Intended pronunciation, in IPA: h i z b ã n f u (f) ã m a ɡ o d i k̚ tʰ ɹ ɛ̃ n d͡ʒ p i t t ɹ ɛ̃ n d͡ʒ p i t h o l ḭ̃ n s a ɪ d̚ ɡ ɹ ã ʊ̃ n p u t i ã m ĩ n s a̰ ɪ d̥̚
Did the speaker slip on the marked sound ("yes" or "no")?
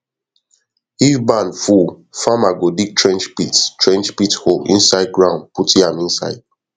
no